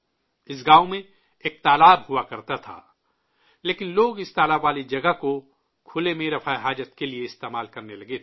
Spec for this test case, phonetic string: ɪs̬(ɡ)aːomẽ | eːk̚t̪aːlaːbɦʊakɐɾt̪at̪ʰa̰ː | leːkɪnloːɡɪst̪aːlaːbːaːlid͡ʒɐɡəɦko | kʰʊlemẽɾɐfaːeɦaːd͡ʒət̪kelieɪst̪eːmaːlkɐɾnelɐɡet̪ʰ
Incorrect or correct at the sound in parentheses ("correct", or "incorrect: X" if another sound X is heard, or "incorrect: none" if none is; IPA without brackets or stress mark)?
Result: correct